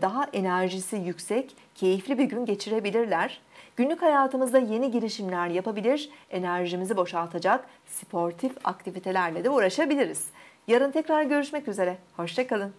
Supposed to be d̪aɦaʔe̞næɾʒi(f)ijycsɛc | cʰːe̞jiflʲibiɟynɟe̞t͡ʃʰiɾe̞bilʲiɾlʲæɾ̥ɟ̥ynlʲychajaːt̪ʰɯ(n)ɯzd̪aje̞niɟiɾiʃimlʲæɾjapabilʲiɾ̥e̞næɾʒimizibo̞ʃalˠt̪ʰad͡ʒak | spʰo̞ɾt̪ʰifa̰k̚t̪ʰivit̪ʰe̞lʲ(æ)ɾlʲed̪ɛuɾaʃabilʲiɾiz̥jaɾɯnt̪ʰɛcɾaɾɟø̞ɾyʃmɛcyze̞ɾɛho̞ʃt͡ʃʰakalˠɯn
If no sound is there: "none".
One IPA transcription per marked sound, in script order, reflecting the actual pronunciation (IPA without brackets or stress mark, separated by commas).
s, m, æ